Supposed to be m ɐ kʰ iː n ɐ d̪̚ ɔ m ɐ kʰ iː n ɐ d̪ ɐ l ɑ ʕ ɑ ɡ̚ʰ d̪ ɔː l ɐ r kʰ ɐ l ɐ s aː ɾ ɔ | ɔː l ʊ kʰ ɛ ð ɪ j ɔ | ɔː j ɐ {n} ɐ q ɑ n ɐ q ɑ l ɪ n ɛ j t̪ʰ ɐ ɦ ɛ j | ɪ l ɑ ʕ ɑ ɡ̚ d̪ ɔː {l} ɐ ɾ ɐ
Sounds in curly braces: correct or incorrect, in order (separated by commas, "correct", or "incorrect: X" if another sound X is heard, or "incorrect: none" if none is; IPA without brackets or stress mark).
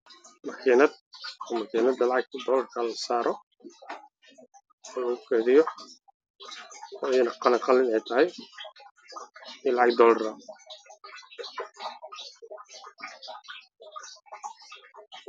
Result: correct, correct